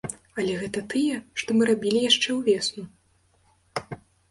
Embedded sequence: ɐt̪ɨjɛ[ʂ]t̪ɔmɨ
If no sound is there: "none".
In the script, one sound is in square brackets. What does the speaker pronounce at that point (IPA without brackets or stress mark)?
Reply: ʂ